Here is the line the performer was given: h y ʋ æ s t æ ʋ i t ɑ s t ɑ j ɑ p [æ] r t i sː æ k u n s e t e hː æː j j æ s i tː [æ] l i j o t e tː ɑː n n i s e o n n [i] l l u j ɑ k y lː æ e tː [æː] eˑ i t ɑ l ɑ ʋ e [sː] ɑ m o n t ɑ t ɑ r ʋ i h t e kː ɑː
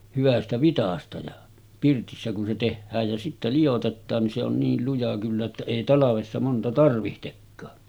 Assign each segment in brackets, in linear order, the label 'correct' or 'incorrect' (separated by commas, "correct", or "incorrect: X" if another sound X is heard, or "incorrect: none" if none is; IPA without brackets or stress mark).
incorrect: i, correct, incorrect: iː, incorrect: æ, correct